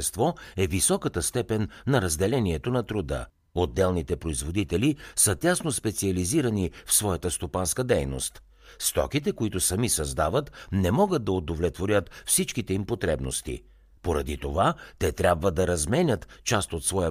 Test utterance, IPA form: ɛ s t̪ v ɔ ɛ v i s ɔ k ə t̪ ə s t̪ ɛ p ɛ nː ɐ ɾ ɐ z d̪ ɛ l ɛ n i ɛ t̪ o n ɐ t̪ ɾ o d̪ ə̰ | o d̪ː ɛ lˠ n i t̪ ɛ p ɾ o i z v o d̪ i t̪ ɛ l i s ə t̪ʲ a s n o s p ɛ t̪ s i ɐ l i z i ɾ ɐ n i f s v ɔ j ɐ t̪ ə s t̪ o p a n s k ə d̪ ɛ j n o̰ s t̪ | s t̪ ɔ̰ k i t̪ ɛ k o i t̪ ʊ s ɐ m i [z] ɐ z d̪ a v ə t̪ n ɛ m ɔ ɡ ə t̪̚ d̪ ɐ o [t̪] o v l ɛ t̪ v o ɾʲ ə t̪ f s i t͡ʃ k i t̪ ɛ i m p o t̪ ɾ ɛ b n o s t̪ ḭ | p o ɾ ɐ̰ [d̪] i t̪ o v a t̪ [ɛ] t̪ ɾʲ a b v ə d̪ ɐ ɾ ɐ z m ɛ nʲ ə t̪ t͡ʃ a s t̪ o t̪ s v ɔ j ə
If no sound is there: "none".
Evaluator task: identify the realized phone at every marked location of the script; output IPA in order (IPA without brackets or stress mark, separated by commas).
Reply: s, d̪, d̪, ɛ